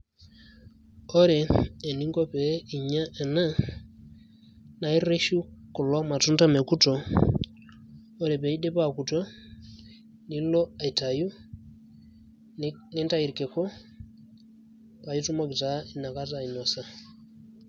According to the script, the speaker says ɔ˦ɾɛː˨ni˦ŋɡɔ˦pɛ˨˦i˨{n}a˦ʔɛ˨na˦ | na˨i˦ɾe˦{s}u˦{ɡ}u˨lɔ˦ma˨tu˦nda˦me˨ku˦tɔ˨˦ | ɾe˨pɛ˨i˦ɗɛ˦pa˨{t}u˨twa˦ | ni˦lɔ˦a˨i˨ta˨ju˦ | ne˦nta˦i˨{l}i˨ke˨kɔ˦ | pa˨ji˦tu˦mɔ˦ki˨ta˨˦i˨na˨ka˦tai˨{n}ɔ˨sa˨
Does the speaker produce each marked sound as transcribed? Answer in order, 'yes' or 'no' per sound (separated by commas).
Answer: no, no, no, no, no, yes